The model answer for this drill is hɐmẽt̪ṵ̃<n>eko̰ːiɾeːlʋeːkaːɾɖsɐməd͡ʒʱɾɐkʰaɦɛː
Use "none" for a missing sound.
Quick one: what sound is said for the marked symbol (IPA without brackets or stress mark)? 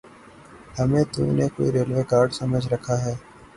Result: n